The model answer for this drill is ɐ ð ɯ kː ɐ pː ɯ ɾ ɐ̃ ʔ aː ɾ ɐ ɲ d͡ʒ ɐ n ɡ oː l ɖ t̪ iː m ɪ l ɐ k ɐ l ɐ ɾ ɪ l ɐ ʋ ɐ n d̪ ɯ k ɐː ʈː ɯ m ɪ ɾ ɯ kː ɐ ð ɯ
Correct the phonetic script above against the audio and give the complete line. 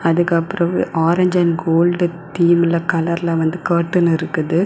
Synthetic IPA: ɐ ð ɯ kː ɐ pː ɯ ɾ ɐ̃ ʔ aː ɾ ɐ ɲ d͡ʒ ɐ n ɡ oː l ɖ t̪ iː m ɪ l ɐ k ɐ l ɐ ɾ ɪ l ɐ ʋ ɐ n d̪ ɯ k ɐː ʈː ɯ n ɪ ɾ ɯ kː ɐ ð ɯ